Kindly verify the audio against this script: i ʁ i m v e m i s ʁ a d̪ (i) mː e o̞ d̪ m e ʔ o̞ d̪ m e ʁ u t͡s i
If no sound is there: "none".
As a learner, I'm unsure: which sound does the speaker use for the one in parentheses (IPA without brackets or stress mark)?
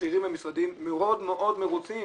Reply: i